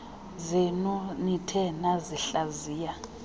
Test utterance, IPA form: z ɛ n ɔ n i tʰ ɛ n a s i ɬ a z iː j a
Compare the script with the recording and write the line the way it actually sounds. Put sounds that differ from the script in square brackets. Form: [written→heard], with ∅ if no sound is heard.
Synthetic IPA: z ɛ n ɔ n i tʰ ɛ n a [s→z] i ɬ a z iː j a